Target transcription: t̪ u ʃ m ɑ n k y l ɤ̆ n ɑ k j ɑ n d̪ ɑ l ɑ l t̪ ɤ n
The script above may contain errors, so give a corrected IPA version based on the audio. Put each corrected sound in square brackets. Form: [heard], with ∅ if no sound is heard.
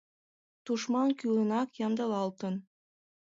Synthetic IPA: t̪ u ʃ m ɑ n k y l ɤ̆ n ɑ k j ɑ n d̪ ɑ l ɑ l t̪ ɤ n